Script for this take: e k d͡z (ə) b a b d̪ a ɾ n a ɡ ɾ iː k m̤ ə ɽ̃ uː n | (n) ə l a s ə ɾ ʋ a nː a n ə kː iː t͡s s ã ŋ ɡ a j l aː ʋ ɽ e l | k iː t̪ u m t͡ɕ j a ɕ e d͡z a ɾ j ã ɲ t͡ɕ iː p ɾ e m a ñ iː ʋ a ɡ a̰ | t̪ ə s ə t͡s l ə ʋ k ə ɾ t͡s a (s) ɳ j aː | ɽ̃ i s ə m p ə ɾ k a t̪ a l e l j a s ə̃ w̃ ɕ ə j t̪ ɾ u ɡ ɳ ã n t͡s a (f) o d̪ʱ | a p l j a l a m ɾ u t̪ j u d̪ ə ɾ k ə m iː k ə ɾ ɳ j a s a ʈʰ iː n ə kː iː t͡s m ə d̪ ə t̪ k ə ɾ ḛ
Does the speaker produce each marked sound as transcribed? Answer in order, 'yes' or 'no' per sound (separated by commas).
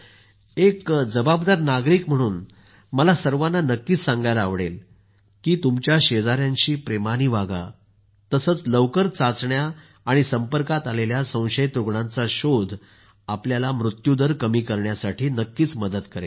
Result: yes, no, no, no